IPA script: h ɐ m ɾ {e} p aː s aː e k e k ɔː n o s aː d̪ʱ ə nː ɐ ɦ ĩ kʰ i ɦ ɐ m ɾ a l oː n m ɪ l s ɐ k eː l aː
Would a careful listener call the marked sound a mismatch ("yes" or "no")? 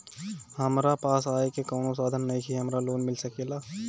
yes